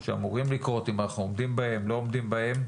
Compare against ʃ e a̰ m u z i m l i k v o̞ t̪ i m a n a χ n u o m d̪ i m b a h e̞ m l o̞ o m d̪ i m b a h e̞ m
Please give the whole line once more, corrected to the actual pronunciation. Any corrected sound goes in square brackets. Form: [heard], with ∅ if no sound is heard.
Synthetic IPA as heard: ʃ e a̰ m u [ʁ] i m l i k [ʁ] o̞ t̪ i m a n a χ n u o m d̪ i m b a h e̞ m l o̞ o m d̪ i m b a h e̞ m